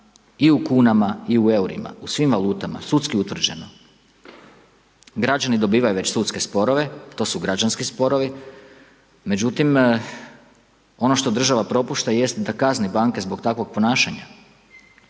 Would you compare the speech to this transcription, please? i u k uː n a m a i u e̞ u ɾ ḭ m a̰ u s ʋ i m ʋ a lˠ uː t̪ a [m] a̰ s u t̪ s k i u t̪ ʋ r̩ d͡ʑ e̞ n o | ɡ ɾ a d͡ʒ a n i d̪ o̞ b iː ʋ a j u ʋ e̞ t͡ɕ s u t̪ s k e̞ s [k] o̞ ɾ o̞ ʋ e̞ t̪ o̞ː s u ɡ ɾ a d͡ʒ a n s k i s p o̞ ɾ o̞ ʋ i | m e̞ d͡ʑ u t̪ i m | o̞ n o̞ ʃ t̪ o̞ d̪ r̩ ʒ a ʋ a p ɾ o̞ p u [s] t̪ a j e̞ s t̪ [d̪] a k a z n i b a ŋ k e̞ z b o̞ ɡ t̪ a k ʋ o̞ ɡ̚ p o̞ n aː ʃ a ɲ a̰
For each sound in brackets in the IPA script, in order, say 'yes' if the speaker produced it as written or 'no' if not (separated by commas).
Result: yes, no, no, yes